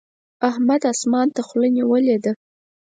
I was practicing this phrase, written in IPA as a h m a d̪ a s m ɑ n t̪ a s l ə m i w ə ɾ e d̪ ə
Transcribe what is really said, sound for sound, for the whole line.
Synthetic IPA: a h m a d̪ a s m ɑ n t̪ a x l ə n i w ə l e d̪ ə